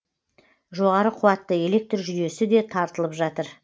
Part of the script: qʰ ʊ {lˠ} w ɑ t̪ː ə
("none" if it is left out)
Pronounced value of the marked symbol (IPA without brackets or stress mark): none